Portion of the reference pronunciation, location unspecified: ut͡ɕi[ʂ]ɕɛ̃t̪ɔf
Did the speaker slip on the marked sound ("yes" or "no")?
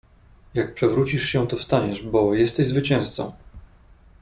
no